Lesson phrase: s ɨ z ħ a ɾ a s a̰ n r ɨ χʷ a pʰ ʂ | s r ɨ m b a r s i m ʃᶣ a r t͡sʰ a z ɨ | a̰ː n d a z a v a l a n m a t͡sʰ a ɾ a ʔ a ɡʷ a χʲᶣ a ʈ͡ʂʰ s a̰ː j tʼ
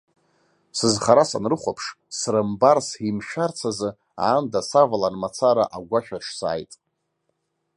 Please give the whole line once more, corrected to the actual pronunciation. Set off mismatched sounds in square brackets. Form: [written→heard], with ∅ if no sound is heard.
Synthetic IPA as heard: s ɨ z [ħ→χ] a ɾ a s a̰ n r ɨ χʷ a pʰ ʂ | s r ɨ m b a r s i m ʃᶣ a r t͡sʰ a z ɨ | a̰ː n d a [z→s] a v a l a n m a t͡sʰ a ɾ a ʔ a ɡʷ a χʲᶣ a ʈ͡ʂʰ s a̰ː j tʼ